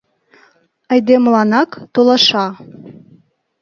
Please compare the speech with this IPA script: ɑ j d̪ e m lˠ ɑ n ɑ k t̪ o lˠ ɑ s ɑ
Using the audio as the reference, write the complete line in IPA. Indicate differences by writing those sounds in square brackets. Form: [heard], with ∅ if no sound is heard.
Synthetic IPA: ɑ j d̪ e m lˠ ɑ n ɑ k t̪ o lˠ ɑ [ʃ] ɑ